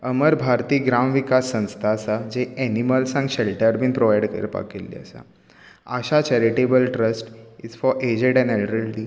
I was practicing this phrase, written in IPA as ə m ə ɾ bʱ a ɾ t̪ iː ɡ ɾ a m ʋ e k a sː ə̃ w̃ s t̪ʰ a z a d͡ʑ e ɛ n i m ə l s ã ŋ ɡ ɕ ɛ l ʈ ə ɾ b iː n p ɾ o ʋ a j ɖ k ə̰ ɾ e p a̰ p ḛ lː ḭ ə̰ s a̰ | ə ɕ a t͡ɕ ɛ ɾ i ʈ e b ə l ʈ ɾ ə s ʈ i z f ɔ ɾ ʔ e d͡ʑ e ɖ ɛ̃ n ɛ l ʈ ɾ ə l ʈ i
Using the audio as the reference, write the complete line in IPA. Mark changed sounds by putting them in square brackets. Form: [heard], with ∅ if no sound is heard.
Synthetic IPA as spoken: ə m ə ɾ bʱ a ɾ t̪ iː ɡ ɾ a m ʋ [i] k a sː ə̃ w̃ s t̪ʰ a [s] a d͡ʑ e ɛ n i m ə l s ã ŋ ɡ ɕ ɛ l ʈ ə ɾ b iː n p ɾ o ʋ a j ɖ k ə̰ ɾ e p a̰ [k] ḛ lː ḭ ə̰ s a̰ | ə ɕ a t͡ɕ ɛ ɾ i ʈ e b ə l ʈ ɾ ə s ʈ i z f ɔ ɾ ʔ e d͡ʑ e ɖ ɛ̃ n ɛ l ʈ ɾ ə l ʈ i